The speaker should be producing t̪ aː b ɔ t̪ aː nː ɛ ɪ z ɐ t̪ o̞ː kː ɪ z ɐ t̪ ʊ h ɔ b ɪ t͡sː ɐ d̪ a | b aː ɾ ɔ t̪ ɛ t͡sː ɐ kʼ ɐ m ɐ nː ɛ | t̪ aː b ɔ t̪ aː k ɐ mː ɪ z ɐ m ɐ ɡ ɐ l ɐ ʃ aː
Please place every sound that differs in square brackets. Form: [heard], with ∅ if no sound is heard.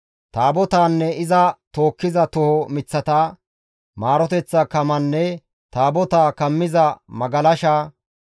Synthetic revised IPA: t̪ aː b ɔ t̪ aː nː ɛ ɪ z ɐ t̪ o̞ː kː ɪ z ɐ t̪ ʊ h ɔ [m] ɪ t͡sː ɐ [t̪] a | [m] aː ɾ ɔ t̪ ɛ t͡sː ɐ [k] ɐ m ɐ nː ɛ | t̪ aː b ɔ t̪ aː k ɐ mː ɪ z ɐ m ɐ ɡ ɐ l ɐ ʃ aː